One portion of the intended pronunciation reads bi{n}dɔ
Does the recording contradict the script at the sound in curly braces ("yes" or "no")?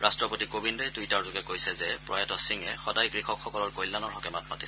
no